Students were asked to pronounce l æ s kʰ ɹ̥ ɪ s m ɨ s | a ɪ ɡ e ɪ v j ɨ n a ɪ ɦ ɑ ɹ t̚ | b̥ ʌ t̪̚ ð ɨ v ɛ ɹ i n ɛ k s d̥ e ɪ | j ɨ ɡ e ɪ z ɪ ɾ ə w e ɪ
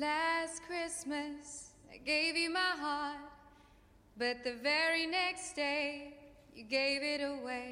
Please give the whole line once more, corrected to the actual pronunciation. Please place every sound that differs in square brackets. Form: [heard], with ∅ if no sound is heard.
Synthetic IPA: l æ s kʰ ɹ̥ ɪ s m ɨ s | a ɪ ɡ e ɪ v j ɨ [m] a ɪ ɦ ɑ ɹ t̚ | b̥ ʌ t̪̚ ð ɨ v ɛ ɹ i n ɛ k s d̥ e ɪ | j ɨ ɡ e ɪ [v] ɪ ɾ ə w e ɪ